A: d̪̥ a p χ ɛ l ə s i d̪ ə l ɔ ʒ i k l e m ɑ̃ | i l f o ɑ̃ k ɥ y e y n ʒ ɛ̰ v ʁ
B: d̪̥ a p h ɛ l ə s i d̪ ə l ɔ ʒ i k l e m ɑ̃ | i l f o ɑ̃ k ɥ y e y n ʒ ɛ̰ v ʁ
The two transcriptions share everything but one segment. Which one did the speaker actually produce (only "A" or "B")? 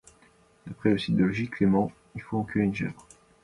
A